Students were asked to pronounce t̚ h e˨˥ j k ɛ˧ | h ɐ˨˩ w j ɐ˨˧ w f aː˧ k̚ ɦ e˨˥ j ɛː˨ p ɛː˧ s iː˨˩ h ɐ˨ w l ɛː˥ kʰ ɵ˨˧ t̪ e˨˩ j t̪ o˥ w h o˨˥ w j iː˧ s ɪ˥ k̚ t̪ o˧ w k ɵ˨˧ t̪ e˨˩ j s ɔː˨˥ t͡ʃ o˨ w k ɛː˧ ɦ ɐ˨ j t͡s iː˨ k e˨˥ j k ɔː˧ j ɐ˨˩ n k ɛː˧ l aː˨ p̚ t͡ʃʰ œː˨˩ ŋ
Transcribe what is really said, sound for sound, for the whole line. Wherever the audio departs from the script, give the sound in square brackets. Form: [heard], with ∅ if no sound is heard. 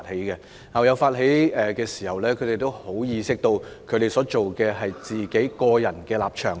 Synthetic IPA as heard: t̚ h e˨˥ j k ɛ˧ | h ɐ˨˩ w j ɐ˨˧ w f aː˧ [t̚] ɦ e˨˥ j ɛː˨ [k] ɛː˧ s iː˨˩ h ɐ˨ w l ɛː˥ kʰ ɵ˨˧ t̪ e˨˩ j t̪ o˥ w h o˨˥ w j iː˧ s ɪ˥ k̚ t̪ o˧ w [kʰ] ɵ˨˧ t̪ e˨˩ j s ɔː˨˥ t͡ʃ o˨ w k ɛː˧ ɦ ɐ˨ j t͡s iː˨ k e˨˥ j k ɔː˧ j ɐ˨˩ n k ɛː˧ l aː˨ p̚ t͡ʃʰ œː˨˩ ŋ